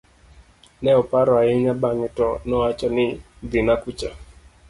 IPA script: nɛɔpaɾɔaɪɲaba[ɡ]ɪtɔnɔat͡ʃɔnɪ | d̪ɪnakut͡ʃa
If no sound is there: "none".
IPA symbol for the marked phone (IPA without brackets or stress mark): ŋ